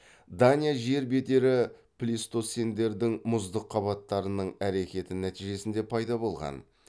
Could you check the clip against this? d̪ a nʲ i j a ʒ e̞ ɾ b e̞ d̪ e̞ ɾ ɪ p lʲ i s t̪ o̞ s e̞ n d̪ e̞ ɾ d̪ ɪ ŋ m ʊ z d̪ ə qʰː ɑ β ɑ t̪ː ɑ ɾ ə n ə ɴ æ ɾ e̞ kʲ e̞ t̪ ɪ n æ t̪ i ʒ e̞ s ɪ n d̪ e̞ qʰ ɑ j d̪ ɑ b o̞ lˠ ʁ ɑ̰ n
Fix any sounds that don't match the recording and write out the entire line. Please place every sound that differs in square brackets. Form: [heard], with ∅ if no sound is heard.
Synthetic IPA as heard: d̪ a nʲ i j a ʒ e̞ ɾ b e̞ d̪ e̞ ɾ ɪ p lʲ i s t̪ o̞ s e̞ n d̪ e̞ ɾ d̪ ɪ ŋ m ʊ z d̪ ə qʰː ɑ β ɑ t̪ː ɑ ɾ ə n ə ɴ æ ɾ e̞ kʲ e̞ t̪ ɪ n æ t̪ i ʒ e̞ s ɪ n d̪ e̞ [pʰ] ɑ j d̪ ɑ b o̞ lˠ ʁ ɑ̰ n